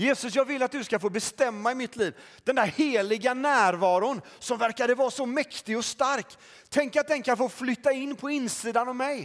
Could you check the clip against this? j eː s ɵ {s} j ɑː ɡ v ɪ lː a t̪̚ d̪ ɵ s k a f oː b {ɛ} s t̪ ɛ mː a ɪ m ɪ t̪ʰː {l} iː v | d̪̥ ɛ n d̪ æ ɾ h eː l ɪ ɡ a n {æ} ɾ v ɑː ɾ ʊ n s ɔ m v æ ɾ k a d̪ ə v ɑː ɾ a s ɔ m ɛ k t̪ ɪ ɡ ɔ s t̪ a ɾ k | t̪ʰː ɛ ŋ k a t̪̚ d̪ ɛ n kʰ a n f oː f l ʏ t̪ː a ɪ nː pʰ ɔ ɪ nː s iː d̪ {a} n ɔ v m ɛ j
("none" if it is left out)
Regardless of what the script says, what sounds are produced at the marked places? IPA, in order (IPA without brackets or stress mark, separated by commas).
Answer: s, ɛ, l, æː, a